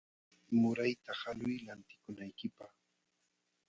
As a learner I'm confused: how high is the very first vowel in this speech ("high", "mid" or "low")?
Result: high